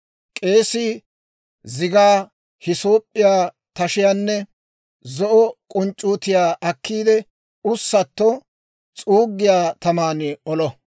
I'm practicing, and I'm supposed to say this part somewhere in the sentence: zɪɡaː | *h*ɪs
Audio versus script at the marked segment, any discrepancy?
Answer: no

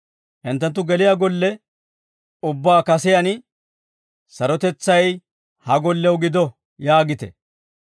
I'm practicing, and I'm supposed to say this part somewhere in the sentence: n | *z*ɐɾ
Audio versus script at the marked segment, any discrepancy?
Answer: yes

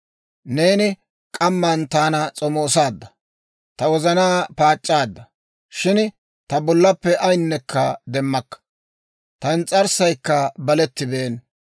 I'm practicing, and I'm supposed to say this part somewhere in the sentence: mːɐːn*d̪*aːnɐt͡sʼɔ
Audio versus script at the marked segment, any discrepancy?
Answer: yes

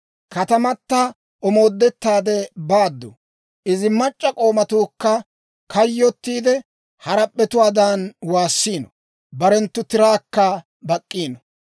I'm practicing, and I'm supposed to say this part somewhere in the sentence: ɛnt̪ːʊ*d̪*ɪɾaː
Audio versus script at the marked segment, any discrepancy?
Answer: yes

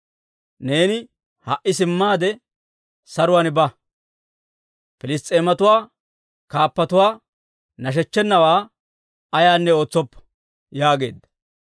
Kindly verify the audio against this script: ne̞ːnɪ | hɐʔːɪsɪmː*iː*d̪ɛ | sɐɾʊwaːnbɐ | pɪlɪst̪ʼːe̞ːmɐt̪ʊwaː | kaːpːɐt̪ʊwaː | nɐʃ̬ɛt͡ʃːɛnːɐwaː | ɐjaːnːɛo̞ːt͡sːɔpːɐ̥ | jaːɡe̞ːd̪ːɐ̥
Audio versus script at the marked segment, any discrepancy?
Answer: yes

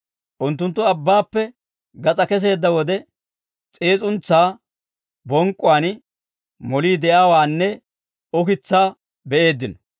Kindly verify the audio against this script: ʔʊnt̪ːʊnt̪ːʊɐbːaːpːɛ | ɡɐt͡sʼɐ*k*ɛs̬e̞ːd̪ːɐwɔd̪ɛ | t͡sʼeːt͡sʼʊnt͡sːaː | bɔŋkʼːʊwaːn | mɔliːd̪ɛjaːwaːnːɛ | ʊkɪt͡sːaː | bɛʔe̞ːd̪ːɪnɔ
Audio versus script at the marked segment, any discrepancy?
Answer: no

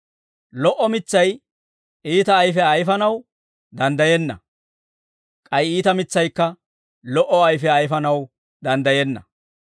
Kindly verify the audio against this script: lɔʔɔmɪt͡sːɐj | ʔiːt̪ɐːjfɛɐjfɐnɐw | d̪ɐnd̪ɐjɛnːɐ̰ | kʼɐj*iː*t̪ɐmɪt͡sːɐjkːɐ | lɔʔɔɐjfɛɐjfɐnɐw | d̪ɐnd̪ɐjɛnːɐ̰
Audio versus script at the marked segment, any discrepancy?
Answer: no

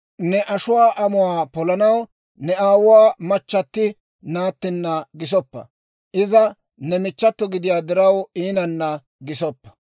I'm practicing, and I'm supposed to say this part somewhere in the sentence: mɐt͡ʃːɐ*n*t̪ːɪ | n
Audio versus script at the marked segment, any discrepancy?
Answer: yes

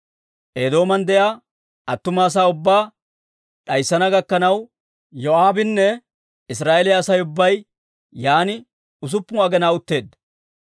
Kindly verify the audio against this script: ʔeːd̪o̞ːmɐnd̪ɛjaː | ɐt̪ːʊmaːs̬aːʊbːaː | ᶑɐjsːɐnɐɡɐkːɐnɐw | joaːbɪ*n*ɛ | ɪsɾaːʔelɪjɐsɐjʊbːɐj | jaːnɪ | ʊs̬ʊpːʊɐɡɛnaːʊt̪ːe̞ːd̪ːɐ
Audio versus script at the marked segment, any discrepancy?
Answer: yes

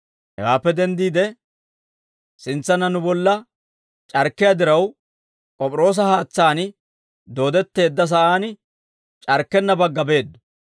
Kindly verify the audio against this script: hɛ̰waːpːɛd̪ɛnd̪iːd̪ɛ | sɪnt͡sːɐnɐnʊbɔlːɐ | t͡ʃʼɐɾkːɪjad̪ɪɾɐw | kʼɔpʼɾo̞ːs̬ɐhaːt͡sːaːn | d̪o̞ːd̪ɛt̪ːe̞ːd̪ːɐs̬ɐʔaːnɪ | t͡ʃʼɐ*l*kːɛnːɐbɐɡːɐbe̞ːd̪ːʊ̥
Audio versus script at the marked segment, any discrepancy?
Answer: yes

